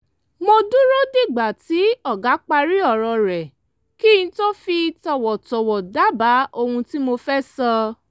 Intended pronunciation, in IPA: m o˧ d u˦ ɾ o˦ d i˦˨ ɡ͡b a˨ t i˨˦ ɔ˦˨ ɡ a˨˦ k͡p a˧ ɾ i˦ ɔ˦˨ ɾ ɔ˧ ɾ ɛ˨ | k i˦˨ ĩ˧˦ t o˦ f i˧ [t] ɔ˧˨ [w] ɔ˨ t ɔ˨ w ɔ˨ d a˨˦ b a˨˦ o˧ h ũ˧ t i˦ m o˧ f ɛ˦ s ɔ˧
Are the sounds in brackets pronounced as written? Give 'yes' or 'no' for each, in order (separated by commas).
yes, yes